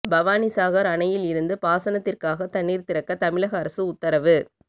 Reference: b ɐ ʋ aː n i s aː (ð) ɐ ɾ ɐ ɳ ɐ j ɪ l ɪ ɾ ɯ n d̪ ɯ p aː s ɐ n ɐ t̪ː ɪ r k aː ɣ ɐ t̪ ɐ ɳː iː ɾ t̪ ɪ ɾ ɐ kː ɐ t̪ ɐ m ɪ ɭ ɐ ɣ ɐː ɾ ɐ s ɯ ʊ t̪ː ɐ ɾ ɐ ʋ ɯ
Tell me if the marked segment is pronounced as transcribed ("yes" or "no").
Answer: no